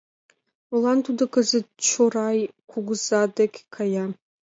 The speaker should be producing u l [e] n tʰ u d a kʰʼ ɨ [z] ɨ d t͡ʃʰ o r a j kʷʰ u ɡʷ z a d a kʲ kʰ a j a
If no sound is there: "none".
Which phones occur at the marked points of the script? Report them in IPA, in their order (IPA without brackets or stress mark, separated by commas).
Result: a, z